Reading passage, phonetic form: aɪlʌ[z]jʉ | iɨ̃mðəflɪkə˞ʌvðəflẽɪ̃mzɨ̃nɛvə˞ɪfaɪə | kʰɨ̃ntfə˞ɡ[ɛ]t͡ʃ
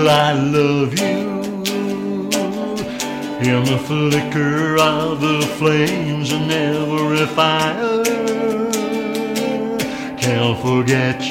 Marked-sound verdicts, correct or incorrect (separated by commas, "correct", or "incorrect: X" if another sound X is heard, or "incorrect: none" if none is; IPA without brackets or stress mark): incorrect: v, correct